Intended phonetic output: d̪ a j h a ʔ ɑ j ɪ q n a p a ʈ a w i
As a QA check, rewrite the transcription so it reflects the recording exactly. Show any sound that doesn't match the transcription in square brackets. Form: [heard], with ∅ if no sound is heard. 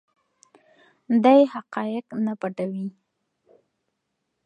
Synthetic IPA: d̪ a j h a [q] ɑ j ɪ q n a p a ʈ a w i